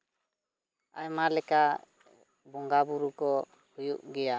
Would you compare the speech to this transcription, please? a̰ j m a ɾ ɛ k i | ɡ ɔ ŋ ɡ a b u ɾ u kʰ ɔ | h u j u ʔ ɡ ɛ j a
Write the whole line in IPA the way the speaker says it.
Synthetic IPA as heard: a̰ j m a l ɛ k a | b ɔ ŋ ɡ a b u ɾ u k ɔ | h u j u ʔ ɡ ɛ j a